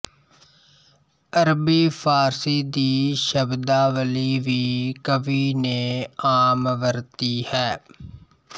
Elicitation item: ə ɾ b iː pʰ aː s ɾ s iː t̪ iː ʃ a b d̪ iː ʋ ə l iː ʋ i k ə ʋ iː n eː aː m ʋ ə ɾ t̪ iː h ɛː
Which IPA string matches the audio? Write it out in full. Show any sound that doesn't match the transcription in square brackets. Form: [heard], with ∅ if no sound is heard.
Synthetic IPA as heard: ə ɾ b iː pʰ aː [∅] ɾ s iː [d̪] iː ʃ [ə] b d̪ [aː] ʋ ə l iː ʋ [iː] k ə ʋ iː n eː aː m ʋ ə ɾ t̪ iː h ɛː